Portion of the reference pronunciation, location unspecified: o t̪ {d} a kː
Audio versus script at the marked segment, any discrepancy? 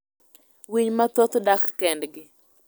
no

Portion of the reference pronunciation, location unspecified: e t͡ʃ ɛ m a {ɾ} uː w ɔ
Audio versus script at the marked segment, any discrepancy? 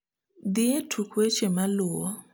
yes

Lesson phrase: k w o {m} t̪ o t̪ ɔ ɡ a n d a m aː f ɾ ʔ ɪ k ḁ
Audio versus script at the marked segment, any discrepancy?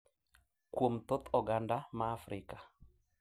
no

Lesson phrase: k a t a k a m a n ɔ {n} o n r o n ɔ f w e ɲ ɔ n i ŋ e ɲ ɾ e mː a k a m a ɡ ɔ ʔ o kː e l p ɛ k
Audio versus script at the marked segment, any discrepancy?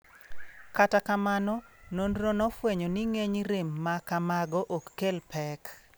no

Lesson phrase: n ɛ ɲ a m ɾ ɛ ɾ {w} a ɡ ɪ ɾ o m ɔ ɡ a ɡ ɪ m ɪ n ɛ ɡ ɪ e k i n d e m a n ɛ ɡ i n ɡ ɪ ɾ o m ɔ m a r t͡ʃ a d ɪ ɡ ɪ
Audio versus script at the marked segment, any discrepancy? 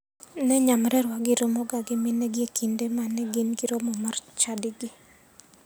no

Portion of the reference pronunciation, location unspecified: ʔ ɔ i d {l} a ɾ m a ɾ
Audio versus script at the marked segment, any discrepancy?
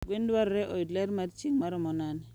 no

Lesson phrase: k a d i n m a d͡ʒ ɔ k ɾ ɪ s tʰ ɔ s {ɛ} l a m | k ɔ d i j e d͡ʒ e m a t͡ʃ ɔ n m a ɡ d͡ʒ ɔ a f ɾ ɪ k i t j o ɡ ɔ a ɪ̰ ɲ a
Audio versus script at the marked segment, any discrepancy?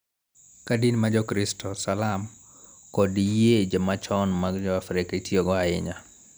yes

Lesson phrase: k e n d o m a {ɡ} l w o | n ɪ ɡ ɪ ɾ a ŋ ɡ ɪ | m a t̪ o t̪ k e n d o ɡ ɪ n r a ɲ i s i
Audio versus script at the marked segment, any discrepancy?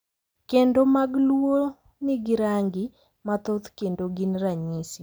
no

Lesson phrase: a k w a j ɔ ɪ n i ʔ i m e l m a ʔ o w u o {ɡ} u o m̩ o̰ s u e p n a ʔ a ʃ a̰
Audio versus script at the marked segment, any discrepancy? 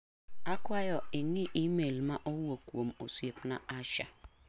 yes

